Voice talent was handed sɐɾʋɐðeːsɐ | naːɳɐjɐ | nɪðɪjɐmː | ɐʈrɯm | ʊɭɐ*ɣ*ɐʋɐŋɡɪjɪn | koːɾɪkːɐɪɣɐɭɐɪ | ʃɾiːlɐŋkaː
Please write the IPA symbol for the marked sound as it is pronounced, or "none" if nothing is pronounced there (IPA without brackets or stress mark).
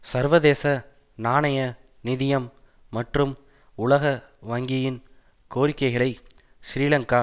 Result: ɣ